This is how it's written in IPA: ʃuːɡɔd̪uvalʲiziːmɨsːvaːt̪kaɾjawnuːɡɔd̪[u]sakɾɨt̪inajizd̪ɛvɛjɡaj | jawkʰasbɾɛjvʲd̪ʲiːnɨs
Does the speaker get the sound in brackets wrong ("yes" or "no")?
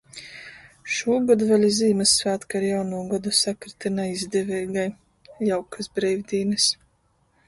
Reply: no